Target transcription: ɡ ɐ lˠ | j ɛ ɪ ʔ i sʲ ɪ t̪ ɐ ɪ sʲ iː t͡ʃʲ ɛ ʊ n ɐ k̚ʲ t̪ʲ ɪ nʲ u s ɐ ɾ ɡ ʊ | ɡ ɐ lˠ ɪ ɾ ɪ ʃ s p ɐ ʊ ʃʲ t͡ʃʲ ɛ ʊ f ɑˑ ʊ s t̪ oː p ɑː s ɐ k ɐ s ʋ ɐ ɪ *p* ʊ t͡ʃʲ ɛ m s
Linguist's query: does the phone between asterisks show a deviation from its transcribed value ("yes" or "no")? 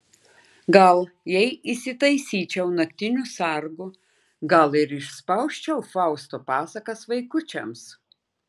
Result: yes